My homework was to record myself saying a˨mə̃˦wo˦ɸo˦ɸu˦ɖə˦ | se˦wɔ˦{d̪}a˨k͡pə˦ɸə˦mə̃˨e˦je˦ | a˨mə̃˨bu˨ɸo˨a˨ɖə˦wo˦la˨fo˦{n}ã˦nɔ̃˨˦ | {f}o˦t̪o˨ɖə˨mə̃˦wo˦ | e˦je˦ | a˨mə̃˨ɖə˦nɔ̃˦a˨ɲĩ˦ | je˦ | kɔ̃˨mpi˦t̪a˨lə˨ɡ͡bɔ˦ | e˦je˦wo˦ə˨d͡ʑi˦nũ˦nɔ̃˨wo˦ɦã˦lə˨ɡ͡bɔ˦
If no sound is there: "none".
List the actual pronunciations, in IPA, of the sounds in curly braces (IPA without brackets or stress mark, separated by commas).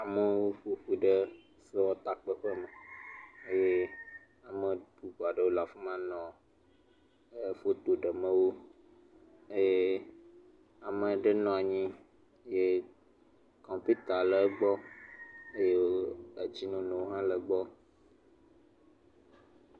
t̪, m, f